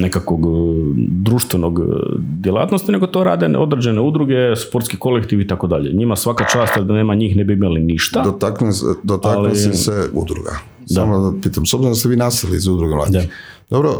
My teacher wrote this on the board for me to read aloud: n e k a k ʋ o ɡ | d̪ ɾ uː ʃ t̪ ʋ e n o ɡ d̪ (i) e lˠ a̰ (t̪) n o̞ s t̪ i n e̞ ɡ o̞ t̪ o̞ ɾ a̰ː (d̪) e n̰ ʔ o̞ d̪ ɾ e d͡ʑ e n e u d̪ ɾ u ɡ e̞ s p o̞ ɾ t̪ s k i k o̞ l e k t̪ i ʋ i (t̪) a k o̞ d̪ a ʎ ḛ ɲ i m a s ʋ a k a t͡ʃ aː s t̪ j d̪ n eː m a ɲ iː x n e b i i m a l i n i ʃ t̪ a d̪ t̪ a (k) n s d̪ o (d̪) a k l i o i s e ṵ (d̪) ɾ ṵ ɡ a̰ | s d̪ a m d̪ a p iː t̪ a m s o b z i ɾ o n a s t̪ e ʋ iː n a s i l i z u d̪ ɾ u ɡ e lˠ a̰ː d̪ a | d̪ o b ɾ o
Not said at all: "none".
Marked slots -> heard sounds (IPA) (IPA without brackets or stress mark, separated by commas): j, t̪, d̪, t̪, k, t̪, d̪